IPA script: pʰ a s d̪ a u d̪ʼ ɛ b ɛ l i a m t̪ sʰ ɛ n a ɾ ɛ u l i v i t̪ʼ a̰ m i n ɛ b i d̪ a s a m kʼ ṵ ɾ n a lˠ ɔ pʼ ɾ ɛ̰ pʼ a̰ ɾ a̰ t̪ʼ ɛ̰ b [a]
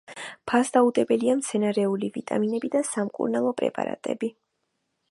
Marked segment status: incorrect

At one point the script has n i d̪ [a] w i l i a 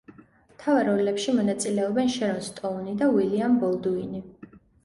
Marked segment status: correct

